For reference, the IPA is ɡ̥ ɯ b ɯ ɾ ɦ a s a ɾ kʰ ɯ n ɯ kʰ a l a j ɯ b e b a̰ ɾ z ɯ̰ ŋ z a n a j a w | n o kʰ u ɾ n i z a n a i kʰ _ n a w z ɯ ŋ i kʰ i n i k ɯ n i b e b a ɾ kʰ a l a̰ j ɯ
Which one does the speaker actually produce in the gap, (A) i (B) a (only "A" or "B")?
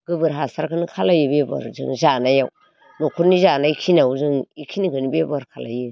A